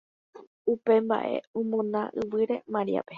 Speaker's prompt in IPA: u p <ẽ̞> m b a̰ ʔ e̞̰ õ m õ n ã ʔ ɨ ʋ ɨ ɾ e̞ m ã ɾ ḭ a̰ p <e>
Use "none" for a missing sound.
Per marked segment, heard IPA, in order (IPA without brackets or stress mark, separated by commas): e̞, e